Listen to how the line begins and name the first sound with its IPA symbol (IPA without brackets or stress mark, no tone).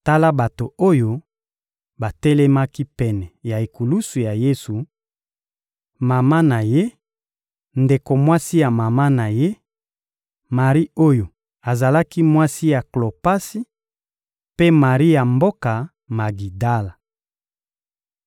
t